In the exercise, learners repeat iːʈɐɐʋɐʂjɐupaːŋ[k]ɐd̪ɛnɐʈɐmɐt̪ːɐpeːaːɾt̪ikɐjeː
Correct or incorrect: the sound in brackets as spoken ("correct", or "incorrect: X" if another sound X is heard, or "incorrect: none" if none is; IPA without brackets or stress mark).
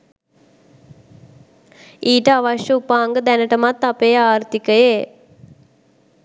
incorrect: ɡ